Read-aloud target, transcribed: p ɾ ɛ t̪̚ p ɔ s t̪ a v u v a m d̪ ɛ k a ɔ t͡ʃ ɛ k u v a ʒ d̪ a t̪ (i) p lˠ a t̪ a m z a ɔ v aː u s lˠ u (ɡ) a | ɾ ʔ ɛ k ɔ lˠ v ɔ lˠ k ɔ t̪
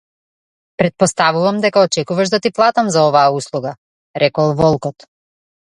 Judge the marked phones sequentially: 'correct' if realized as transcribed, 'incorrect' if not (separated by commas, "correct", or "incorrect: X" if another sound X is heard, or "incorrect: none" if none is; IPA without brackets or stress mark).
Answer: correct, correct